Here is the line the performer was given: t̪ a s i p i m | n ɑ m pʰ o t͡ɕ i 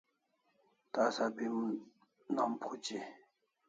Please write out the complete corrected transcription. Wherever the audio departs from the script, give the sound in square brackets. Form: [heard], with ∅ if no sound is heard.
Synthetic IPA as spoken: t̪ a s [a] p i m | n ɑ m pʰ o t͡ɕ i